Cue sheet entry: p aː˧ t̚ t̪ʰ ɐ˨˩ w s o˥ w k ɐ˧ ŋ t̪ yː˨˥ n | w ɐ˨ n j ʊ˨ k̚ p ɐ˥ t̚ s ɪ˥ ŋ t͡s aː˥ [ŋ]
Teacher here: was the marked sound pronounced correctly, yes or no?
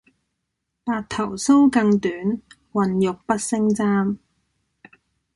no